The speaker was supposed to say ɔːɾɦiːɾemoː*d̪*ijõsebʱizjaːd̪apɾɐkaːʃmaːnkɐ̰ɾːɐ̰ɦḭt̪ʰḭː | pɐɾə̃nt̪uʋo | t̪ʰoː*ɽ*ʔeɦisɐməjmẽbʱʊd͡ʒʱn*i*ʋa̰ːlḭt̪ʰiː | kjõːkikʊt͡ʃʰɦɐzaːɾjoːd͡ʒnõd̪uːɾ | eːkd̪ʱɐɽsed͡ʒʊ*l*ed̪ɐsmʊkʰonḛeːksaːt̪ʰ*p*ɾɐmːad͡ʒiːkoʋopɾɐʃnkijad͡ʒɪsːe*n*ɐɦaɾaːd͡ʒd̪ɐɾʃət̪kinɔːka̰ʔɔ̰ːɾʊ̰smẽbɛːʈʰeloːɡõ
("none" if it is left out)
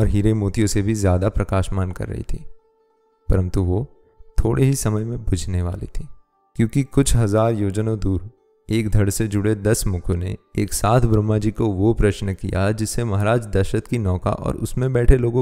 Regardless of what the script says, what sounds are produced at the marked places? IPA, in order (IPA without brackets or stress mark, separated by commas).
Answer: t̪, ɽ, e, ɽ, b, m